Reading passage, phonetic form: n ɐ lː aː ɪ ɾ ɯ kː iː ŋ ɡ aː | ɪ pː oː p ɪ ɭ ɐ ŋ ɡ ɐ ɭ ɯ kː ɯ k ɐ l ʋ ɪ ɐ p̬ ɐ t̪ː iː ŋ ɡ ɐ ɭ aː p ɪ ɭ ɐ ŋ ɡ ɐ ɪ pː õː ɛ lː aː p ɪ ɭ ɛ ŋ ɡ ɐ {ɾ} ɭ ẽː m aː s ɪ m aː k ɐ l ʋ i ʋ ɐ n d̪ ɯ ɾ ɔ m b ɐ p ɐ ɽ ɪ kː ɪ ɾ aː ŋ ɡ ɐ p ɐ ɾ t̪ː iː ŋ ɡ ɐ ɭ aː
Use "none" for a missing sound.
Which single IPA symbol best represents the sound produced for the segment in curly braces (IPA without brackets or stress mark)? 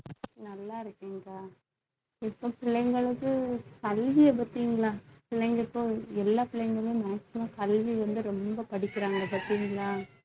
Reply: none